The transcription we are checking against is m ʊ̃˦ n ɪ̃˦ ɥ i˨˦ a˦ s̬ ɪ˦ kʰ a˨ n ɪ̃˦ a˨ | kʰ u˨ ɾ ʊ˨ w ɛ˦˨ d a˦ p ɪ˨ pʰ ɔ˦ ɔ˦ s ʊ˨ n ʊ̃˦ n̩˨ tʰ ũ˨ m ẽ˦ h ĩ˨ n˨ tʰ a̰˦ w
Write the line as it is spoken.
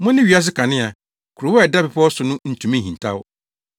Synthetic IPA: m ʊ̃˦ n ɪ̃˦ ɥ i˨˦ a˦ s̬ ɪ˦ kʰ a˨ n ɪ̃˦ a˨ | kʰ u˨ ɾ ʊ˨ w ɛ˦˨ d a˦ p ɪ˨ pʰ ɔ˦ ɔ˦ s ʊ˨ n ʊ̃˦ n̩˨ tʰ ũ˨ m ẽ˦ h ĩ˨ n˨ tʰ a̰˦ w